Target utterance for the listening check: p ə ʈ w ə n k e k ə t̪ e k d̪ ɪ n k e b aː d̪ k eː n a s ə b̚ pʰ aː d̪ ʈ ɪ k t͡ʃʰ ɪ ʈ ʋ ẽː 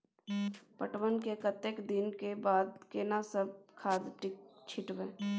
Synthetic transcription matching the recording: p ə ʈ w ə n k e k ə t̪ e k d̪ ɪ n k e b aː d̪ k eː n a s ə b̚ kʰ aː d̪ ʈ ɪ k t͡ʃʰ ɪ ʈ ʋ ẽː